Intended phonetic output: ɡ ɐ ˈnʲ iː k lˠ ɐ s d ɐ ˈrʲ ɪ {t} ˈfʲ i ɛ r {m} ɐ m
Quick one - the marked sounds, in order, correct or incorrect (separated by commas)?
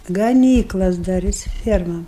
incorrect, correct